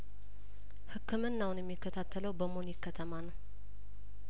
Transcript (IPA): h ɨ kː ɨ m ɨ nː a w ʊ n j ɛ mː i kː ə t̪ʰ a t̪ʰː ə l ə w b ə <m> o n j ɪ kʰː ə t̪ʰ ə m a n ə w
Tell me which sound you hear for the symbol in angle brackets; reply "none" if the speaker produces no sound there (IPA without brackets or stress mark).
m